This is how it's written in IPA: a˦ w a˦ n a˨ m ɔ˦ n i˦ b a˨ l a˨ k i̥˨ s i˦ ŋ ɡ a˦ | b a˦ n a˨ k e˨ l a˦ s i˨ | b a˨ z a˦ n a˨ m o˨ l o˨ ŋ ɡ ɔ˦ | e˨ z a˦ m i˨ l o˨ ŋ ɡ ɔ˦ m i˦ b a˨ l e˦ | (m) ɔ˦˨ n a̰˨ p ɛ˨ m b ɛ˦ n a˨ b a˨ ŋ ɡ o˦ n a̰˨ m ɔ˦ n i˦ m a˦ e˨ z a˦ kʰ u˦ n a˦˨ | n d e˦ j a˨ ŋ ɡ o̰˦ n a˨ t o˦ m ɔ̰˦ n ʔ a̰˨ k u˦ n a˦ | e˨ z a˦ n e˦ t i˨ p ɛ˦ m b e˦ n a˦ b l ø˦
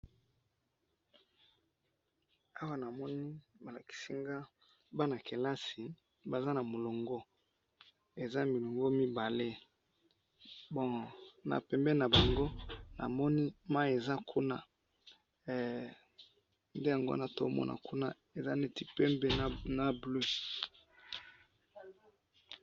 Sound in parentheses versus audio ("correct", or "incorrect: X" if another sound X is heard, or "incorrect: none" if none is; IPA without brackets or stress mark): incorrect: b